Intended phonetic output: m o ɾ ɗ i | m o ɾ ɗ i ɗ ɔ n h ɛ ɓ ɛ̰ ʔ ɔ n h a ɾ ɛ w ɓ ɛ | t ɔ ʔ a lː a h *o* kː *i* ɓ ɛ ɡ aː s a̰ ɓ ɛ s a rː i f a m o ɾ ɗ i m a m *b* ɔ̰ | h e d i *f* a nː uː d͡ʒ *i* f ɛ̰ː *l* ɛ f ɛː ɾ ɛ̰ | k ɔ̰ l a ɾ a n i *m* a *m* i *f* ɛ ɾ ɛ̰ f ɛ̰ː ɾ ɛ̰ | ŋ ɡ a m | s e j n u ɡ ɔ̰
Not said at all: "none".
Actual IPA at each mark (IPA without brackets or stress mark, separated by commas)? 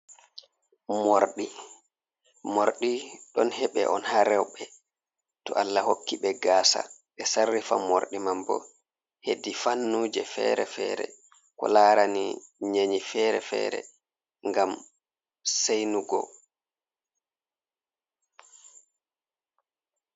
o, i, b, f, ɛ, ɾ, ɲ, ɲ, f